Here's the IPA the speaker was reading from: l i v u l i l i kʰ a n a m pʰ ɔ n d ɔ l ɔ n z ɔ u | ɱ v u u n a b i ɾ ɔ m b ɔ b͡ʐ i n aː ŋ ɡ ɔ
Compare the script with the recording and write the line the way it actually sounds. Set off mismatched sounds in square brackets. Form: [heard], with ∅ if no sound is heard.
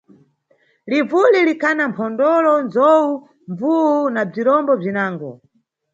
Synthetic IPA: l i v u l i l i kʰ a n a m pʰ ɔ n d ɔ l ɔ n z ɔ u | ɱ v u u n a [b͡ʐ] i ɾ ɔ m b ɔ b͡ʐ i n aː ŋ ɡ ɔ